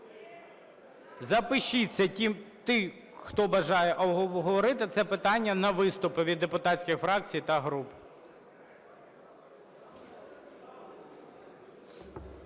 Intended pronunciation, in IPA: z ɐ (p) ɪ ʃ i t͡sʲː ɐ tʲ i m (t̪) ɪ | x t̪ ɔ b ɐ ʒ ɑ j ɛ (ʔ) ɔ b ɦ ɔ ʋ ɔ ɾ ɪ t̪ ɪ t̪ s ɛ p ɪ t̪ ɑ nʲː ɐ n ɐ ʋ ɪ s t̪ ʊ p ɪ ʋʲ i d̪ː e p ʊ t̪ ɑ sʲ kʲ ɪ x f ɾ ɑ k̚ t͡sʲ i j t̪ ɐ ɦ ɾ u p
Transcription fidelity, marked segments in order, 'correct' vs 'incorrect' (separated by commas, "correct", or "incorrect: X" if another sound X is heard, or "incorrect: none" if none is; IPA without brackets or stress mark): correct, correct, correct